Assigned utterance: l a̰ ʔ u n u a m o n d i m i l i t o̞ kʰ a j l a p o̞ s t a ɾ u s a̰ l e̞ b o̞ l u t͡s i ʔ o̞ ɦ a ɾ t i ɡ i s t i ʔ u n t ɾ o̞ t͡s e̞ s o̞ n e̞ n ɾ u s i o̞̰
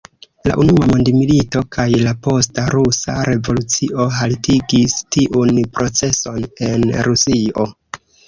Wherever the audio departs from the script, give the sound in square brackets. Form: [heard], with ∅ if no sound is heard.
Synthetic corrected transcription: l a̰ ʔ u n u a m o n d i m i l i t o̞ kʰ a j l a p o̞ s t a ɾ u s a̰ [ɾ] e̞ [v] o̞ l u t͡s i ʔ o̞ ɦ a [l] t i ɡ i s t i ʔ u n [p] ɾ o̞ t͡s e̞ s o̞ n e̞ n ɾ u s i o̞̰